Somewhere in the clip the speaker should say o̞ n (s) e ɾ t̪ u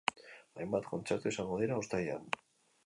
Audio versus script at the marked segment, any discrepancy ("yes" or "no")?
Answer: yes